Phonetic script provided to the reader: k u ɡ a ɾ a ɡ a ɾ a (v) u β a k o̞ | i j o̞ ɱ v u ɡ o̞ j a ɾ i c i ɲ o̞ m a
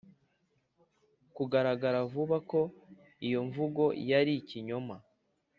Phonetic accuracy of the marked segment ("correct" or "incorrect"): correct